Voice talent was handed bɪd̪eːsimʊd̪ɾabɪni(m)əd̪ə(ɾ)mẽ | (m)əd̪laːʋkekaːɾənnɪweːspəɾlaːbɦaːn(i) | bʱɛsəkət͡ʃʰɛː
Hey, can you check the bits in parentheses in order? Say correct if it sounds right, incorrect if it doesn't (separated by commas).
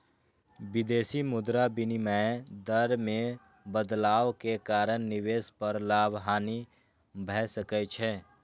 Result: correct, correct, incorrect, correct